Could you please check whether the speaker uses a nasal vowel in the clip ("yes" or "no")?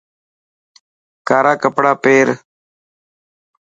no